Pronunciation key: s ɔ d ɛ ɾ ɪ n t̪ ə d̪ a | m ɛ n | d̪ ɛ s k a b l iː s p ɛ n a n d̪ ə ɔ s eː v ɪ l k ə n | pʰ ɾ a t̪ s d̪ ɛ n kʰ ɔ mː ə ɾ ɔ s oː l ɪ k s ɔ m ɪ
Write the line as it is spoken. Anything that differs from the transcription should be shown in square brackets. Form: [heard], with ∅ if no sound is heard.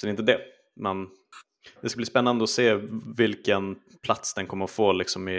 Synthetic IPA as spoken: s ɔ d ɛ ɾ ɪ n t̪ ə d̪ [ɛ] | m ɛ n | d̪ ɛ s k a b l iː s p ɛ [nː] a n d̪ ə ɔ s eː v ɪ l k ə n | pʰ [l] a t̪ s d̪ ɛ n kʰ ɔ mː ə ɾ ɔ [f] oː l ɪ k s ɔ m ɪ